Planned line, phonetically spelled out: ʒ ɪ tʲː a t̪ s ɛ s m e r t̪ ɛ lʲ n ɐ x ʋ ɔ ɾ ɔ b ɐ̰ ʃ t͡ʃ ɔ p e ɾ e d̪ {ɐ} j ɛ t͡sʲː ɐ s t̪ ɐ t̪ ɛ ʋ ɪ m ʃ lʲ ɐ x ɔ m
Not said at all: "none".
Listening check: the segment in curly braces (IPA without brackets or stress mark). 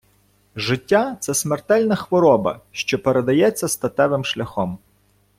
ɐ